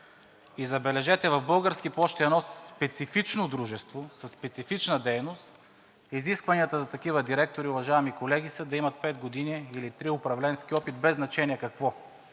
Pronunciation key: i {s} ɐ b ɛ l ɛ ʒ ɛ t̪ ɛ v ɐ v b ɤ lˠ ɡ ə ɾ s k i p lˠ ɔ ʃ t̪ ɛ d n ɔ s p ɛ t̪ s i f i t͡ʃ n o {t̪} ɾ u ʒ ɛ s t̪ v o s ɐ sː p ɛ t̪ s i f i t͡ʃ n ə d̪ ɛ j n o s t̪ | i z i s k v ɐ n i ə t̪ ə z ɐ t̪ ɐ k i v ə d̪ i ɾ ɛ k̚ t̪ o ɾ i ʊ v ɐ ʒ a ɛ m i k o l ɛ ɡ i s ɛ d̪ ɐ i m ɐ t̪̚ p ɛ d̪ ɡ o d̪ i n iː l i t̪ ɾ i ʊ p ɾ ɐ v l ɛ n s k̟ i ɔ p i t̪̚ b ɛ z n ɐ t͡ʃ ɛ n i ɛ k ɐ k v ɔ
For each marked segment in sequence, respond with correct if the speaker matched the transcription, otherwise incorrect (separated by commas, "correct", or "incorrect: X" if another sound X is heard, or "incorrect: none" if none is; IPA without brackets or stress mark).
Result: incorrect: z, incorrect: d̪